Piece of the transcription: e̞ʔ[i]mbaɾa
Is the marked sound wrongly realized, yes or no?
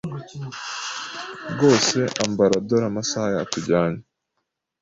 yes